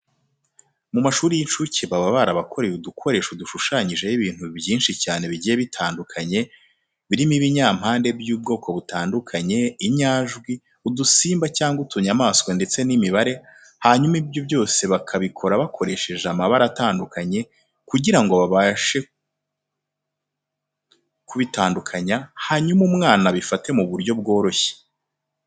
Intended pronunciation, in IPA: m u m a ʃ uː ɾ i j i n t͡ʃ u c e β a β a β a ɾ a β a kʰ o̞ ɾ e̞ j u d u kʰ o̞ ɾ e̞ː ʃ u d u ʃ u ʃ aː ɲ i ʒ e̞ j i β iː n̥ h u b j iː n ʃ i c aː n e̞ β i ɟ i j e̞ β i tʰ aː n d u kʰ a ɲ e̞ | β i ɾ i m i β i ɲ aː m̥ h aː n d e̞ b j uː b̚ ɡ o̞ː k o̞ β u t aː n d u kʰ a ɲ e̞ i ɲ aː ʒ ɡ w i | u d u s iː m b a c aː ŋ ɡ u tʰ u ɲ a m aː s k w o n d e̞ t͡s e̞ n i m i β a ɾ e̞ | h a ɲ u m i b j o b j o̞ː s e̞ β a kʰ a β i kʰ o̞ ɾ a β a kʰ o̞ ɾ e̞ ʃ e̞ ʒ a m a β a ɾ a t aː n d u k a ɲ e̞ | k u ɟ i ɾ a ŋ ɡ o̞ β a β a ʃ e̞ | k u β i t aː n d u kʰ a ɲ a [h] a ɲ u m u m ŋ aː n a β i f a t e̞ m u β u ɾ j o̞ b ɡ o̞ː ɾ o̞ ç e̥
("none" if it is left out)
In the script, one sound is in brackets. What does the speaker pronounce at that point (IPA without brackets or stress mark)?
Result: h